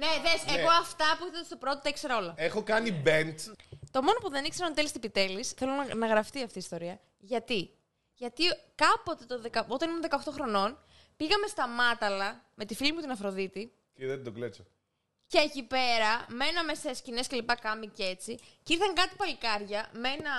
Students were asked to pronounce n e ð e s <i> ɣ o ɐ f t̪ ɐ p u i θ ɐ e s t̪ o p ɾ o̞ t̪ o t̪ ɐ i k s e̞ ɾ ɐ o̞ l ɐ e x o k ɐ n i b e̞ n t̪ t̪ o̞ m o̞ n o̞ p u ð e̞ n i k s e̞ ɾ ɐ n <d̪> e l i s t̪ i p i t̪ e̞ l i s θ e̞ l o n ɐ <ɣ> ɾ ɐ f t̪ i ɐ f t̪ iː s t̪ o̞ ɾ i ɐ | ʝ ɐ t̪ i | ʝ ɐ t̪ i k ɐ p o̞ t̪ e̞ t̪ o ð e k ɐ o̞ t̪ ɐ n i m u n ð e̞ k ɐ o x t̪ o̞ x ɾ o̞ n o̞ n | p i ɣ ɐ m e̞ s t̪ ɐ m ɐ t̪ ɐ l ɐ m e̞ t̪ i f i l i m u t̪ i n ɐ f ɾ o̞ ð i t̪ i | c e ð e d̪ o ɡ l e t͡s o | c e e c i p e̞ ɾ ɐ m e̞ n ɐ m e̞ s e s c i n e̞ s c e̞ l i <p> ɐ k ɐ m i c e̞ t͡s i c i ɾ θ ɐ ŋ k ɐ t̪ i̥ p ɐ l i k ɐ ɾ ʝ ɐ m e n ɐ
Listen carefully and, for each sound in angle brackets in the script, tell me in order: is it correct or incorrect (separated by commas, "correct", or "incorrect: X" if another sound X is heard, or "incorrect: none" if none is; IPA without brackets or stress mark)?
incorrect: e, incorrect: t̪, correct, correct